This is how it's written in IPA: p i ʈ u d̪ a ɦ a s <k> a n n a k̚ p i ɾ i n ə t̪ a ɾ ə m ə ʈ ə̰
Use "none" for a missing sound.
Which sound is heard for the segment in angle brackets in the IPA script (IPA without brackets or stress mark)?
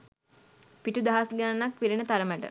ɡ